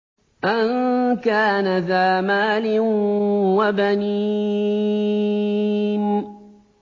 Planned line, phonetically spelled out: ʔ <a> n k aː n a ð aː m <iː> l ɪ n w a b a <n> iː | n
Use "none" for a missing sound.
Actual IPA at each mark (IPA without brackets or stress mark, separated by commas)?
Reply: a, aː, n